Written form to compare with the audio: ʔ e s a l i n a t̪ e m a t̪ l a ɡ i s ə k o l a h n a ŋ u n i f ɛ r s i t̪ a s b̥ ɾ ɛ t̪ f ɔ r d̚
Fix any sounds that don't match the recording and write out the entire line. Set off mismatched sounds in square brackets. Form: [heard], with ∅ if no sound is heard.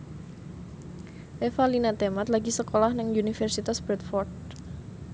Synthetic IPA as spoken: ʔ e [f] a l i n a t̪ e m a t̪ l a ɡ i s ə k o l a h n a ŋ u n i f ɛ r s i t̪ a s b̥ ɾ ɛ t̪ f ɔ r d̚